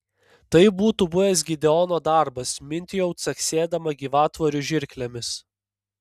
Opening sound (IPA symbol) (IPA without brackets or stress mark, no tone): t̪